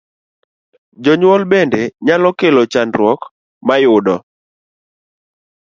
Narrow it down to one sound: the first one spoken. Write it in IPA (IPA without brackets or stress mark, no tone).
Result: d͡ʒ